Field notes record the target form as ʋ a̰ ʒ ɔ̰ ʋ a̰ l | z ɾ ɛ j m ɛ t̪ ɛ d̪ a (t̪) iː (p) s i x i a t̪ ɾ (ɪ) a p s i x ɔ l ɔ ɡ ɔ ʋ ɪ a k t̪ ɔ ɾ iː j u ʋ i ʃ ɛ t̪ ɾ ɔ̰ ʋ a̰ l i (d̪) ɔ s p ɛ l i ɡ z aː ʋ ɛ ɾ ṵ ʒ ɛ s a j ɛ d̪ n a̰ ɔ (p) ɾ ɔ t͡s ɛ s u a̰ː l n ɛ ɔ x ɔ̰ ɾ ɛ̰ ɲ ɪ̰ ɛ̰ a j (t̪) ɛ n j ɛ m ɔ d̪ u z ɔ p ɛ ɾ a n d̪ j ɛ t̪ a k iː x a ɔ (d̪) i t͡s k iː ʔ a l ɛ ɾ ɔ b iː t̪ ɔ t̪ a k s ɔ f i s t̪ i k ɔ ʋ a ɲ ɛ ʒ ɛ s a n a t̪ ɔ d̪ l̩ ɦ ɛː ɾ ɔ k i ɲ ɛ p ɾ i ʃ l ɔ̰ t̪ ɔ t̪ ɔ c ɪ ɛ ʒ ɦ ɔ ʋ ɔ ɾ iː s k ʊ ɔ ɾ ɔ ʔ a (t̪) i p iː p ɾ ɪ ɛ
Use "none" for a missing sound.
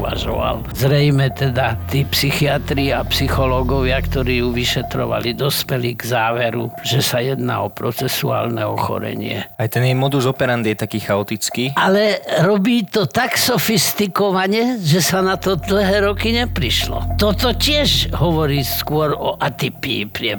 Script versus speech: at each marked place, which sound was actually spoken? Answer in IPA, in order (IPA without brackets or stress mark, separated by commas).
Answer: t̪, p, i, d̪, p, t̪, t̪, t̪